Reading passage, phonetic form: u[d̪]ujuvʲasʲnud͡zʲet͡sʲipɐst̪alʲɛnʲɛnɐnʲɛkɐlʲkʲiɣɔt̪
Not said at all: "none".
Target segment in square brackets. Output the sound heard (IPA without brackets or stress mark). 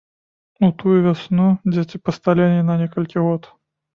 t̪